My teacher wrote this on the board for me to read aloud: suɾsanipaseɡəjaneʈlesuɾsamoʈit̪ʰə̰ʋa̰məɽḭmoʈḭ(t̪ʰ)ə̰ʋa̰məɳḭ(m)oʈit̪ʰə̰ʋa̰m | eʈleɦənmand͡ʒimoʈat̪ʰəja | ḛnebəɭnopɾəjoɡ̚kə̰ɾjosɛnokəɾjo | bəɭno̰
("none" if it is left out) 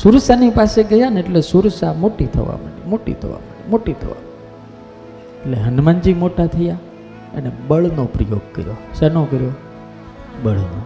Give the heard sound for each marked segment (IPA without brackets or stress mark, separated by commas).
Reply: t̪ʰ, m